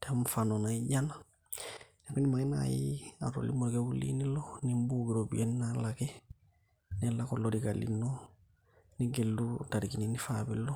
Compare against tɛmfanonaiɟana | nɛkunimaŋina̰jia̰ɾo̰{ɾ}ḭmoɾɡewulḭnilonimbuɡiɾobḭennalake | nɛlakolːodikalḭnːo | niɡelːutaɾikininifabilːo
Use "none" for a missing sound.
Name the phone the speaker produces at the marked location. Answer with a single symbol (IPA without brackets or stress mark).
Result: l